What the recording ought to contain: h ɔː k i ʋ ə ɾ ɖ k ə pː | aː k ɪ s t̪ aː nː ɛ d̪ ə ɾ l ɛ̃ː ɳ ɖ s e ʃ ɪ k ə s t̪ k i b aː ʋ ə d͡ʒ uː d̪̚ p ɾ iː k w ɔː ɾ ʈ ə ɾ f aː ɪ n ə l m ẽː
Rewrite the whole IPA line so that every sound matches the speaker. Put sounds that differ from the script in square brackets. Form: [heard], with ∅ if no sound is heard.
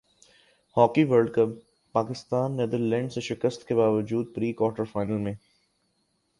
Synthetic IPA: h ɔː k i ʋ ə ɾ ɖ k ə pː | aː k ɪ s t̪ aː nː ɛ d̪ ə ɾ l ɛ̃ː ɳ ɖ s e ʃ ɪ k ə s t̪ k [e] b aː ʋ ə d͡ʒ uː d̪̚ p ɾ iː k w ɔː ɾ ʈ ə ɾ f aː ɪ n ə l m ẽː

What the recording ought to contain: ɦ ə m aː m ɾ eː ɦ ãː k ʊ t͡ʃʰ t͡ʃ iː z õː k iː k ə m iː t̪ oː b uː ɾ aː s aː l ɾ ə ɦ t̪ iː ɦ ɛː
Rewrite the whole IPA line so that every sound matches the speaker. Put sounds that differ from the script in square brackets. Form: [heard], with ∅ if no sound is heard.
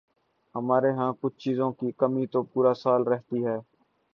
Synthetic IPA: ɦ ə m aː [∅] ɾ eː ɦ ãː k ʊ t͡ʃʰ t͡ʃ iː z õː k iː k ə m iː t̪ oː [p] uː ɾ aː s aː l ɾ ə ɦ t̪ iː ɦ ɛː

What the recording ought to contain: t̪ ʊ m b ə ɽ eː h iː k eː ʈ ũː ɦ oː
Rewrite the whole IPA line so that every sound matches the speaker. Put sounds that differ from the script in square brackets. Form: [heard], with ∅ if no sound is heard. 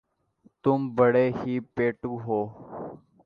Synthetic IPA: t̪ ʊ m b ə ɽ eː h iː [p] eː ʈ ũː ɦ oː

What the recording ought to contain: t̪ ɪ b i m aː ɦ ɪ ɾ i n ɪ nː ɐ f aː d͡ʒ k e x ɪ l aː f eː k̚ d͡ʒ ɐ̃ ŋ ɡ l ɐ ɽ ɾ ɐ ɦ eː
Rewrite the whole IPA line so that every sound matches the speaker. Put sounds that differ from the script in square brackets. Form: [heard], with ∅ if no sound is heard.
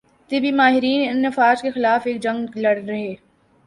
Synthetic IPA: t̪ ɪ b i m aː ɦ ɪ ɾ [iː] n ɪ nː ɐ f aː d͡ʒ k e x ɪ l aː f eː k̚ d͡ʒ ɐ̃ ŋ ɡ l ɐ ɽ ɾ ɐ ɦ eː

